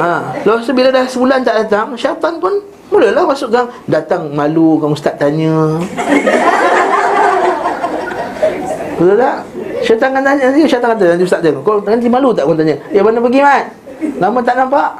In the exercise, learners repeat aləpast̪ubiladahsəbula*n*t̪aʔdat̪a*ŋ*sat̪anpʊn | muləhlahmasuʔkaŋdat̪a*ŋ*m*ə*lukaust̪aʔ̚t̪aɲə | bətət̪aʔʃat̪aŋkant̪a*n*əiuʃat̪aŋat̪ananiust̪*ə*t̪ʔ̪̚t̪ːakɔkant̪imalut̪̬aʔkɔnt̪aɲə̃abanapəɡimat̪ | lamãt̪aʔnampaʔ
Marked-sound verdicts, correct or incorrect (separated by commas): correct, correct, correct, incorrect, incorrect, incorrect